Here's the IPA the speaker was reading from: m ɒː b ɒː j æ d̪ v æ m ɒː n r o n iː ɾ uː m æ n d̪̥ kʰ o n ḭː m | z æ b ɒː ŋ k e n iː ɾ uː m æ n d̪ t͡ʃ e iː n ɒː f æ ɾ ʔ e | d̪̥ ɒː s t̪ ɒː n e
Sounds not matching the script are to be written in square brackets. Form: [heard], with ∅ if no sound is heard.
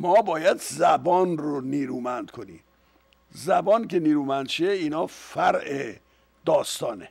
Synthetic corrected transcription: m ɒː b ɒː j æ d̪ [z] æ [b] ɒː n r o n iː ɾ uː m æ n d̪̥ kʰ o n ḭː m | z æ b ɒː [n] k e n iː ɾ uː m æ n d̪ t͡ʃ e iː n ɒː f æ ɾ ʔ e | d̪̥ ɒː s t̪ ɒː n e